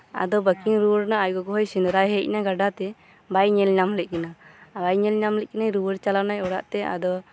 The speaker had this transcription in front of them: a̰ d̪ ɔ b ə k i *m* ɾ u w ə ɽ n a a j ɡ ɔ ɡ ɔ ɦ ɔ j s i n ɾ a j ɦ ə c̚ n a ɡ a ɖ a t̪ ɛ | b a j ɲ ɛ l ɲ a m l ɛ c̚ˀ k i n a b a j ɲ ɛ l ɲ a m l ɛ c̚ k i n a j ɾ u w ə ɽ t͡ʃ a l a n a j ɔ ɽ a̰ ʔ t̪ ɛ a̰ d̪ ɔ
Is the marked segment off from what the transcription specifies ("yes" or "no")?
yes